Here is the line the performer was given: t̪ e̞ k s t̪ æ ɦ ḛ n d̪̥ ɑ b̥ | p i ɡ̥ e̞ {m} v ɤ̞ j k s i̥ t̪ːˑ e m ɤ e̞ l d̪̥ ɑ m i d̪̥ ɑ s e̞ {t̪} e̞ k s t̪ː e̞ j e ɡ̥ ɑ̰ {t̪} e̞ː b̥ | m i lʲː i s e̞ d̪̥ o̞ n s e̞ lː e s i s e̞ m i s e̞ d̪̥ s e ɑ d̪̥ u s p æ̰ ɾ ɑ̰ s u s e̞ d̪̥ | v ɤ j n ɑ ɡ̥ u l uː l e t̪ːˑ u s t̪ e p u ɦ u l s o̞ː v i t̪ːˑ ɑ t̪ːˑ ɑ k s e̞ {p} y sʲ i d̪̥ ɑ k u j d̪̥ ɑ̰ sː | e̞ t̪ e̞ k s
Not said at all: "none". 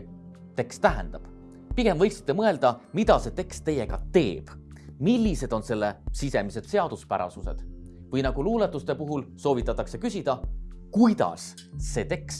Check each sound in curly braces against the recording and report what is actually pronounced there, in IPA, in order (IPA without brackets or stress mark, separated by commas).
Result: m, t̪, t̪, k